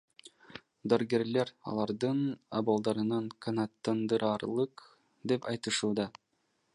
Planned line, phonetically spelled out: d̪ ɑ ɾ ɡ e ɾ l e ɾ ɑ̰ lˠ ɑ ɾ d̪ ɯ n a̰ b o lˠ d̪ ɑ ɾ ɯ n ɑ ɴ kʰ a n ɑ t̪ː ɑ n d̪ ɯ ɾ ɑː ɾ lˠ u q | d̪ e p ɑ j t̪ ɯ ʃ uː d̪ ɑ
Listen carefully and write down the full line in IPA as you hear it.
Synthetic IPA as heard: d̪ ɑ ɾ ɡ e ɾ l e ɾ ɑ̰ lˠ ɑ ɾ d̪ ɯ n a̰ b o lˠ d̪ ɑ ɾ ɯ n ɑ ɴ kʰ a n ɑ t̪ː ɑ n d̪ ɯ ɾ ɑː ɾ lˠ ɯ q | d̪ e p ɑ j t̪ ɯ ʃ uː d̪ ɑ